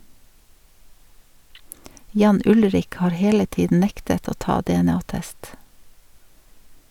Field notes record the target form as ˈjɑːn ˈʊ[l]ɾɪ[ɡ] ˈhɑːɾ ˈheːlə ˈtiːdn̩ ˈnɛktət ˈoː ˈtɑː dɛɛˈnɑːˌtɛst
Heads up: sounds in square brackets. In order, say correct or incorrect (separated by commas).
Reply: correct, incorrect